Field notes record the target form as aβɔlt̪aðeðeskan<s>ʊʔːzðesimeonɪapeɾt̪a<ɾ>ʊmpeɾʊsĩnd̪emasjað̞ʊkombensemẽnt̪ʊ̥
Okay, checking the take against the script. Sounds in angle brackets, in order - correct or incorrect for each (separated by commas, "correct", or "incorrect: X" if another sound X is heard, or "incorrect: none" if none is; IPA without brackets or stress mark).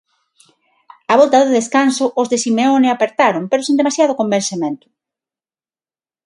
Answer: correct, correct